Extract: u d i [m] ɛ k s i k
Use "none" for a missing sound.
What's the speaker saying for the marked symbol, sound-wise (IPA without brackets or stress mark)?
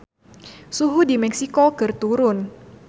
m